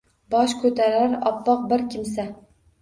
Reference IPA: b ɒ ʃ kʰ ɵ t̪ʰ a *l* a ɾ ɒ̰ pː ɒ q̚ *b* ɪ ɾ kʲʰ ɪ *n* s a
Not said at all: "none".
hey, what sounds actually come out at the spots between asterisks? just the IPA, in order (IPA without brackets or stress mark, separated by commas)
ɾ, b, m